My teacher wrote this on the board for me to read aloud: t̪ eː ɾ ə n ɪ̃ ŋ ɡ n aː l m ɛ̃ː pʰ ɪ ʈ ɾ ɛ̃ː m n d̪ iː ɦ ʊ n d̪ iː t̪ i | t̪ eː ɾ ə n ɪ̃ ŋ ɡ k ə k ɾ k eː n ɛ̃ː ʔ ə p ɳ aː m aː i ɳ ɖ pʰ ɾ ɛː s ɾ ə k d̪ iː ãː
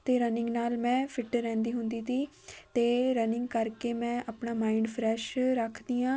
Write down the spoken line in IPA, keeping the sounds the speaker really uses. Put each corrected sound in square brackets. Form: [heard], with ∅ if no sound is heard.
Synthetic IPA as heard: t̪ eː ɾ ə n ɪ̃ ŋ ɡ n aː l m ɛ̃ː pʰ ɪ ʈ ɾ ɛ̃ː [∅] n d̪ iː ɦ ʊ n d̪ iː t̪ [iː] | t̪ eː ɾ ə n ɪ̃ ŋ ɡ k ə [∅] ɾ k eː [m] ɛ̃ː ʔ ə p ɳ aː m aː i ɳ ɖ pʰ ɾ ɛː [ʃ] ɾ ə [kʰ] d̪ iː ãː

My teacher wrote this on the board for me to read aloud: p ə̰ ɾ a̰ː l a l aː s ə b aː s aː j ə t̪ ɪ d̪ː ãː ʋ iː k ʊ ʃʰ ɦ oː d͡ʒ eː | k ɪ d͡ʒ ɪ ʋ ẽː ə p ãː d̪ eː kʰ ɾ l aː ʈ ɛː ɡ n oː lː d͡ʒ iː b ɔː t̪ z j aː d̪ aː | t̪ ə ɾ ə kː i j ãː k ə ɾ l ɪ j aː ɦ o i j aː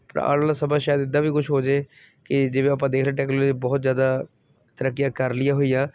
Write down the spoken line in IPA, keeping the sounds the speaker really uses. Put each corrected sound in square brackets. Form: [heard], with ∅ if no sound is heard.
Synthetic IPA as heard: p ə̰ ɾ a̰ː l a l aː s ə b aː [ʃ] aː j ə [d̪] ɪ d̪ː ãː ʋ iː k ʊ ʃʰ ɦ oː d͡ʒ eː | k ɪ d͡ʒ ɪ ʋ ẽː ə p ãː d̪ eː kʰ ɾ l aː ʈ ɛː [k] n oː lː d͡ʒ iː b ɔː t̪ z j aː d̪ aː | t̪ ə ɾ ə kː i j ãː k ə ɾ l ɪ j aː ɦ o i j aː

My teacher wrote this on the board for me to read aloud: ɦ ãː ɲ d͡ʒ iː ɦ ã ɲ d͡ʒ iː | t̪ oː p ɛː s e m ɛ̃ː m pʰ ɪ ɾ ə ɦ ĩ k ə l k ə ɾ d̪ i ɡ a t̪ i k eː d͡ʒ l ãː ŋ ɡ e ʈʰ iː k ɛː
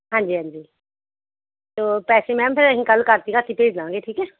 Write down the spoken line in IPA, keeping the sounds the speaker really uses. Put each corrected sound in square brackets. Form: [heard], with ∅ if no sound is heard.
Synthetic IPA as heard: ɦ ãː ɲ d͡ʒ iː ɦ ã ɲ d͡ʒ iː | t̪ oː p ɛː s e m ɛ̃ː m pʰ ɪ ɾ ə ɦ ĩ k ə l k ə ɾ [t̪] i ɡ a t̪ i [p] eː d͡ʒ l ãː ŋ ɡ e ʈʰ iː k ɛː

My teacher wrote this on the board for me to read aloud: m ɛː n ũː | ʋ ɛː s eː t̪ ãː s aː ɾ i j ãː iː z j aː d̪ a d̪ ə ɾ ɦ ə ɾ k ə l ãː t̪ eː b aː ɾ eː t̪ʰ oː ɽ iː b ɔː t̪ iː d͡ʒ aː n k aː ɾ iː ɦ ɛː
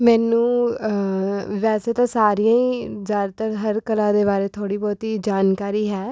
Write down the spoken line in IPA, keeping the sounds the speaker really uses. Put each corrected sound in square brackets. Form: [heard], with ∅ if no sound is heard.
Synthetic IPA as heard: m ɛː n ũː | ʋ ɛː s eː t̪ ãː s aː ɾ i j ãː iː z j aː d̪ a [t̪] ə ɾ ɦ ə ɾ k ə l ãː [d̪] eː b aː ɾ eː t̪ʰ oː ɽ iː b ɔː t̪ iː d͡ʒ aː n k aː ɾ iː ɦ ɛː

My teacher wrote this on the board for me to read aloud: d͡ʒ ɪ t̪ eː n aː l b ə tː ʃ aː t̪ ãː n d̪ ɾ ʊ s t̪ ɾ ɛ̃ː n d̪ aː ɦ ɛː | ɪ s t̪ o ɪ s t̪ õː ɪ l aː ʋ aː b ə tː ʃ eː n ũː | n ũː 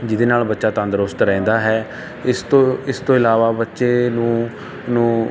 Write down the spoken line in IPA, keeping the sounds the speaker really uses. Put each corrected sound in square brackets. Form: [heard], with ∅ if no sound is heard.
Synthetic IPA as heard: d͡ʒ ɪ [d̪] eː n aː l b ə tː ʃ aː t̪ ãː n d̪ ɾ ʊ s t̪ ɾ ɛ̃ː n d̪ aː ɦ ɛː | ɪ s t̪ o ɪ s t̪ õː ɪ l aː ʋ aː b ə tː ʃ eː n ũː | n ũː

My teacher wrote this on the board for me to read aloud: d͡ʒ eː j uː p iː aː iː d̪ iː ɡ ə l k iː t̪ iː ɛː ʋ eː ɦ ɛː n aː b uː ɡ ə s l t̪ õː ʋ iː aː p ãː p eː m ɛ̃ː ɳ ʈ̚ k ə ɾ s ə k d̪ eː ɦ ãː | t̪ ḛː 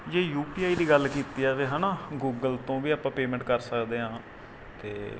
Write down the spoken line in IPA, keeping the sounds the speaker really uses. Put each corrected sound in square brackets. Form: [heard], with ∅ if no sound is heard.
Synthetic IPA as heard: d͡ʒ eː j uː p iː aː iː d̪ iː ɡ ə l k iː t̪ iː ɛː ʋ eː ɦ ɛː n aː [ɡ] uː ɡ ə [∅] l t̪ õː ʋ iː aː p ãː p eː m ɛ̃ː ɳ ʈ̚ k ə ɾ s ə k d̪ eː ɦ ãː | t̪ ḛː

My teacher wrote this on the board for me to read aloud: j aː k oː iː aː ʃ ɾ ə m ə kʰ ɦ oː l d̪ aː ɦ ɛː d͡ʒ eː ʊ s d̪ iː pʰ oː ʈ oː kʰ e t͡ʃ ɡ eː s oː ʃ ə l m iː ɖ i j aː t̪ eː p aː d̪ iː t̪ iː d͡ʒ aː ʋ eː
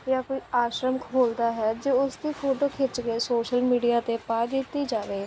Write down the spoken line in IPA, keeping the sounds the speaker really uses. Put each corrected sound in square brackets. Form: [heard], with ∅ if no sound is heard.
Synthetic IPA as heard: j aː k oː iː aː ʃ ɾ ə m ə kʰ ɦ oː l d̪ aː ɦ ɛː d͡ʒ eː ʊ s d̪ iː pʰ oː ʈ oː kʰ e t͡ʃ ɡ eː s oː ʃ ə l m iː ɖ i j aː t̪ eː p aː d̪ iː t̪ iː d͡ʒ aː ʋ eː

